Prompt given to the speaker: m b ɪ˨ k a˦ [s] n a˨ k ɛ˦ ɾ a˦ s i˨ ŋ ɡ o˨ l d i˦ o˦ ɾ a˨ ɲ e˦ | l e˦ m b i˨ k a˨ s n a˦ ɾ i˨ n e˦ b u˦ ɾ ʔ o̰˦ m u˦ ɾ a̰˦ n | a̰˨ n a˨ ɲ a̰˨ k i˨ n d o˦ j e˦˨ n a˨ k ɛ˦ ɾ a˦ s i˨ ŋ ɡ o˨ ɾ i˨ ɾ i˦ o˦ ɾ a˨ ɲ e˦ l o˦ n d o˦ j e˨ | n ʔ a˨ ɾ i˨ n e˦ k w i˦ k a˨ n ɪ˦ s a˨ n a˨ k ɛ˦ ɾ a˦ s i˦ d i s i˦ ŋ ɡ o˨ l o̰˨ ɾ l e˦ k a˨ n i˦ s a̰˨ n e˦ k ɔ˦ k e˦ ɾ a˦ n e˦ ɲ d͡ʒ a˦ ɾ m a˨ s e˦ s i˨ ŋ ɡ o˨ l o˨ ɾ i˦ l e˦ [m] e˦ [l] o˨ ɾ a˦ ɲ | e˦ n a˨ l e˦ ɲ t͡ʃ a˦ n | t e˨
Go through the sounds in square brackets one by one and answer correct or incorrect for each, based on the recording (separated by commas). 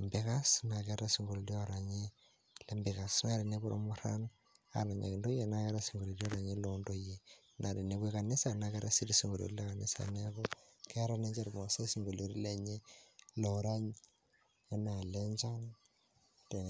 correct, incorrect, correct